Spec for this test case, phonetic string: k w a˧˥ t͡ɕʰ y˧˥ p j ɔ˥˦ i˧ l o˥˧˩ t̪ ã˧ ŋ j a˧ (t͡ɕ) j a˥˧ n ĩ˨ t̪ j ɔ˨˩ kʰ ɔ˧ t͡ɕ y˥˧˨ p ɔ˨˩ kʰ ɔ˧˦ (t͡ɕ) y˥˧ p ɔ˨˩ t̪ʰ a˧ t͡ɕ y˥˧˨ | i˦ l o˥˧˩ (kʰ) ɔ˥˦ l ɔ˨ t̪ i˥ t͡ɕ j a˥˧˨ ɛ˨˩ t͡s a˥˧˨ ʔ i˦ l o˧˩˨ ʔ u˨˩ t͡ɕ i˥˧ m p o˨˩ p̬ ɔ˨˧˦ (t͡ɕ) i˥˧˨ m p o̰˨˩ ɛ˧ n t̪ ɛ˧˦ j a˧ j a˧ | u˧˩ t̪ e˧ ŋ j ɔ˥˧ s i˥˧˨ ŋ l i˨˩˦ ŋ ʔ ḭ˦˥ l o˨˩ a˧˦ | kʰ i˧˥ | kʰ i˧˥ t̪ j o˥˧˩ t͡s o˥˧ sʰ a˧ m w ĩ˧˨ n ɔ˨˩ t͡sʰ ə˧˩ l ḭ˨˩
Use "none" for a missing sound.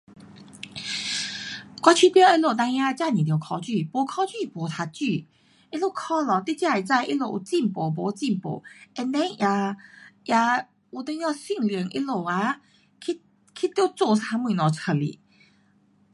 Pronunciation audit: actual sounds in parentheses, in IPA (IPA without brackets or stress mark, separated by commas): t͡ɕ, t͡ɕ, kʰ, t͡ɕ